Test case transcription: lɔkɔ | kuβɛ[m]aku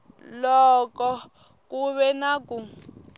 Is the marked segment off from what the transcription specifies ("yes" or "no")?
yes